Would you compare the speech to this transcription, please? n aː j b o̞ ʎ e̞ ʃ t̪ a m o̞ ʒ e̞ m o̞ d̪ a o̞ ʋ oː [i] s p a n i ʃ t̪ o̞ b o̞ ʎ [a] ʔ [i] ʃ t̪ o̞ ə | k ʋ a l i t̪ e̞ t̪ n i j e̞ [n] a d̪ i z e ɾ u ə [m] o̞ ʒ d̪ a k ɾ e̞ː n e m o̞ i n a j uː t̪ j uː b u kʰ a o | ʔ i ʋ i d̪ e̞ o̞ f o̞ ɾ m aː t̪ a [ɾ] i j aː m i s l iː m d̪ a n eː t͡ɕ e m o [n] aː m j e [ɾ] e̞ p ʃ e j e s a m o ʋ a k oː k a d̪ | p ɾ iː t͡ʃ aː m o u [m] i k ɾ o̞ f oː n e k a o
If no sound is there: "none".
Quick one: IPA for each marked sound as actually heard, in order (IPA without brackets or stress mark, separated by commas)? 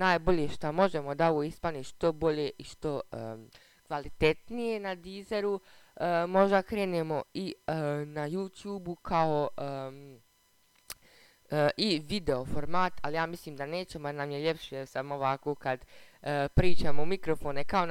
i, e, i, n, m, l, n, ʎ, m